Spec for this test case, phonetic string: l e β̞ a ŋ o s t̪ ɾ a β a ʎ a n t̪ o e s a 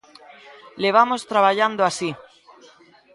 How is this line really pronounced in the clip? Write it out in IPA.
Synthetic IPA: l e β̞ a m o s t̪ ɾ a β a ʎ a n d̪ o a s i